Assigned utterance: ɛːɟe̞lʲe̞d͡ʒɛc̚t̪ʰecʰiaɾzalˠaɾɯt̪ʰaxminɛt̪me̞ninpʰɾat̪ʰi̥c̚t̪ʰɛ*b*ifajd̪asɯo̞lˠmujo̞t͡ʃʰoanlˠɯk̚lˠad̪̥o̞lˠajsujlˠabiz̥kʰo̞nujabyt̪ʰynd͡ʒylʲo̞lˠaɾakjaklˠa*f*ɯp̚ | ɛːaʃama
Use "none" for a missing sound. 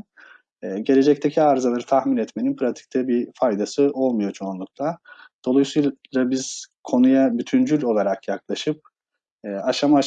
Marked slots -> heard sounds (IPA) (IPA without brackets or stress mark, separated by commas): b, ʃ